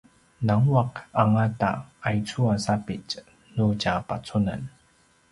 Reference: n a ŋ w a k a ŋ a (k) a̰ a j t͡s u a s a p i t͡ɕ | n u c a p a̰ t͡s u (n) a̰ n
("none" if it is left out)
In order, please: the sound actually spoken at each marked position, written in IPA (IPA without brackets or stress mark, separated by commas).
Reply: t, n